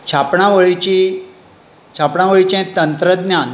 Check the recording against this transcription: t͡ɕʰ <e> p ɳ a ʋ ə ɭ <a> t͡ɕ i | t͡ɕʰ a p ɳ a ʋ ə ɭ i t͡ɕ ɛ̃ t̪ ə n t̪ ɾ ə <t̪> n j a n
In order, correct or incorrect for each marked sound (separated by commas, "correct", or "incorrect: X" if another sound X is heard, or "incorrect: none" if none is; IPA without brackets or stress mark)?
incorrect: a, incorrect: i, incorrect: d̪